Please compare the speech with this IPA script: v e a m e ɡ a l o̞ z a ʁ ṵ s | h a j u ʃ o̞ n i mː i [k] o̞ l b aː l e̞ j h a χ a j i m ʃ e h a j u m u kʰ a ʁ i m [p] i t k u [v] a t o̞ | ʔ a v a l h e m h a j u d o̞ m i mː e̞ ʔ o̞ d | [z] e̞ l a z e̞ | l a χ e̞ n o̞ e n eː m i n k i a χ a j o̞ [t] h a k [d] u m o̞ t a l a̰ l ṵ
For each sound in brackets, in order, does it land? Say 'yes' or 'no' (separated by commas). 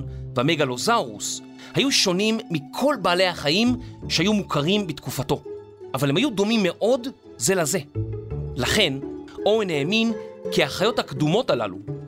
no, no, no, yes, yes, yes